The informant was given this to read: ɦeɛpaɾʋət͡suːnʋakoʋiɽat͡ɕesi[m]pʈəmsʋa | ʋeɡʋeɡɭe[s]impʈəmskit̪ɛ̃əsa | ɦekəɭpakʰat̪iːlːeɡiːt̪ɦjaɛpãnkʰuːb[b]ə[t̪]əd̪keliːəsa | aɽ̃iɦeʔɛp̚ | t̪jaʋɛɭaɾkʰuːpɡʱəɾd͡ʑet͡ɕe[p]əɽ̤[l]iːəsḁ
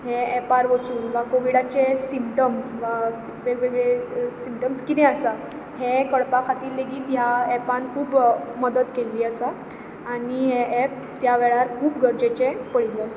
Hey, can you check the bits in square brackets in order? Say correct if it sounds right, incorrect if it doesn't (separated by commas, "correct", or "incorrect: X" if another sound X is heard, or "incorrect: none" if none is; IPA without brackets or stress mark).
correct, correct, incorrect: m, incorrect: d̪, correct, correct